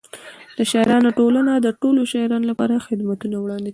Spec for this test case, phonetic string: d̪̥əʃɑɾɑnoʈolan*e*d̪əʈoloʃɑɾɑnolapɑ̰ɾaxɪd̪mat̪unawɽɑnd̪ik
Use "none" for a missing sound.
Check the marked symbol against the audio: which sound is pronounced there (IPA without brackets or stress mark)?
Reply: a